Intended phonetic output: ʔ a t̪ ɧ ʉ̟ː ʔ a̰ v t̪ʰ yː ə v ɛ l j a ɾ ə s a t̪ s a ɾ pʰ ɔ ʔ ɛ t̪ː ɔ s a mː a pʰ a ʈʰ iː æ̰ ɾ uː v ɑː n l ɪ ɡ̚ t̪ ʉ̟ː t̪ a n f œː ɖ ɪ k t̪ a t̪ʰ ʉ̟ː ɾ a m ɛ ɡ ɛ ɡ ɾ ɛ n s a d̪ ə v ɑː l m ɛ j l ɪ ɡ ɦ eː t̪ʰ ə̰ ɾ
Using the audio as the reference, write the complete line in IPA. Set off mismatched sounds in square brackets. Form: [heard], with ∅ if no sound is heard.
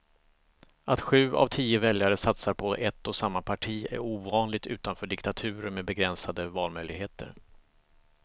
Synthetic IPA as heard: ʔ a t̪ ɧ ʉ̟ː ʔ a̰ v t̪ʰ [iː] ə v ɛ l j a ɾ ə s a t̪ s a ɾ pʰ ɔ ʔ ɛ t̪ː ɔ s a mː a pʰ a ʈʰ iː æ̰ ɾ uː v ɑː n l ɪ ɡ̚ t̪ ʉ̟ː t̪ a n f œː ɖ ɪ k t̪ a t̪ʰ ʉ̟ː ɾ [ə] m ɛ [b] ɛ ɡ ɾ ɛ n s a d̪ ə v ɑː l m [œ] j l ɪ ɡ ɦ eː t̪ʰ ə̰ ɾ